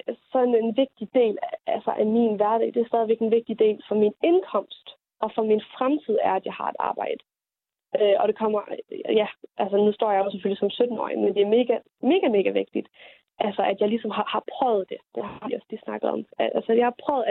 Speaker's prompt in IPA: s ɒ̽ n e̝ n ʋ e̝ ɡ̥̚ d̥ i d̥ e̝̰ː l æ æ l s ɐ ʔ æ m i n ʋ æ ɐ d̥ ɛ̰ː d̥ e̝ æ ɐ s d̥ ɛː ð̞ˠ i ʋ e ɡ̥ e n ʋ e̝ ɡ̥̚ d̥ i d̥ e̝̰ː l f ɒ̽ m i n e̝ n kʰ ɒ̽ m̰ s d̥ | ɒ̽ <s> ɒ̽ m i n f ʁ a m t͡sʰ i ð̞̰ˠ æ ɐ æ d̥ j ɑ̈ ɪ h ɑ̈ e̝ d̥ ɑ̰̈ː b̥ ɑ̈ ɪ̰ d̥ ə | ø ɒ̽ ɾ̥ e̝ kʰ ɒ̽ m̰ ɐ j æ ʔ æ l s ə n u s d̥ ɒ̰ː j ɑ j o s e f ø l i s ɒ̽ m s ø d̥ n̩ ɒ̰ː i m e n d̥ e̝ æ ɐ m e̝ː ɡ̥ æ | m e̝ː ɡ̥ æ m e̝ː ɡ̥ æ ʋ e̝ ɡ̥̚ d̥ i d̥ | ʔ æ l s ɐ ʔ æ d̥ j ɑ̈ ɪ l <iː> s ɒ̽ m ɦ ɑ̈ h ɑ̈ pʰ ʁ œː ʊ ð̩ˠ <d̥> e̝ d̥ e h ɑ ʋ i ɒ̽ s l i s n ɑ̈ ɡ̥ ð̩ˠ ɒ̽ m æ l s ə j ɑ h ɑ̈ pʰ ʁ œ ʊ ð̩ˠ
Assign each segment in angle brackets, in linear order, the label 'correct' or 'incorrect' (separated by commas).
incorrect, incorrect, correct